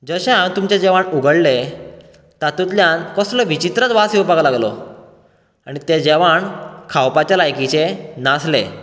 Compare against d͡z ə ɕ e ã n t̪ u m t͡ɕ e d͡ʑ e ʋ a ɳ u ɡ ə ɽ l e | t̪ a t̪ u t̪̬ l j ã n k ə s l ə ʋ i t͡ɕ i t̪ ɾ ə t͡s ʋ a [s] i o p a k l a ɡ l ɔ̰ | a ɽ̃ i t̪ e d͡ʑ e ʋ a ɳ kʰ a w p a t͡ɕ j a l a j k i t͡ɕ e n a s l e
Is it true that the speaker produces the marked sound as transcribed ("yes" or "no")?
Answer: yes